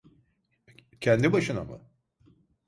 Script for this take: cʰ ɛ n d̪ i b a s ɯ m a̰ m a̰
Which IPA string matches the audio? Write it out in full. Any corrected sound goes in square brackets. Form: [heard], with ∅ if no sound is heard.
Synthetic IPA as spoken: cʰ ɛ n d̪ i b a [ʃ] ɯ [n] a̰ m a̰